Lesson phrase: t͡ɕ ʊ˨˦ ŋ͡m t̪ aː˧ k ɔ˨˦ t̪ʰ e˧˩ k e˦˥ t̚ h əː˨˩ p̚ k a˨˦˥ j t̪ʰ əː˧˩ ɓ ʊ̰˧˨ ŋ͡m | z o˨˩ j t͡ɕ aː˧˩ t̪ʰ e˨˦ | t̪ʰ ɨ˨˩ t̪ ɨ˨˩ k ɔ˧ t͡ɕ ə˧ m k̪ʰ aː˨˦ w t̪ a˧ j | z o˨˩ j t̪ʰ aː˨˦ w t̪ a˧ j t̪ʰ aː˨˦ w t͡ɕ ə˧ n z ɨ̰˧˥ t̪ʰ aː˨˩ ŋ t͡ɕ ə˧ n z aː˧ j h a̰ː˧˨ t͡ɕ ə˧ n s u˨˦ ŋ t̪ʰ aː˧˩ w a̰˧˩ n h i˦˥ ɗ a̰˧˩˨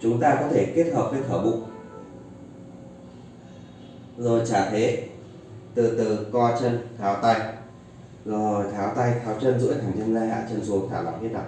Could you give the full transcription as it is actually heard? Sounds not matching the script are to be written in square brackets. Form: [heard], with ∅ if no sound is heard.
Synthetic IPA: t͡ɕ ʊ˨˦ ŋ͡m t̪ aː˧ k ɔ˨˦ t̪ʰ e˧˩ k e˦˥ t̚ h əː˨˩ p̚ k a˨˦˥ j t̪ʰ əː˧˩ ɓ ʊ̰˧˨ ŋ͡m | z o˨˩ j t͡ɕ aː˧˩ t̪ʰ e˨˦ | [t̪] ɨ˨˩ t̪ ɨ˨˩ k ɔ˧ t͡ɕ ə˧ [n] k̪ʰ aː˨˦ w t̪ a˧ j | z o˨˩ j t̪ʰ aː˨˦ w t̪ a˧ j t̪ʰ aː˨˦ w t͡ɕ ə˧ n z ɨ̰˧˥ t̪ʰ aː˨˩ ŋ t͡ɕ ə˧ n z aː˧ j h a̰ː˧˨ t͡ɕ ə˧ n s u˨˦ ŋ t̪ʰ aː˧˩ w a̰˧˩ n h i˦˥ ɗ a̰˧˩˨